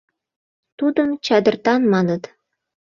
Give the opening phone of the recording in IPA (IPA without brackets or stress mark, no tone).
t̪